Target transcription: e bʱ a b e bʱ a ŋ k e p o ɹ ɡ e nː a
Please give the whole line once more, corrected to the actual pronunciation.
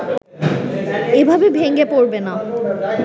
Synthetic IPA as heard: e bʱ a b e bʱ e ŋ ɡ e p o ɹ b e n a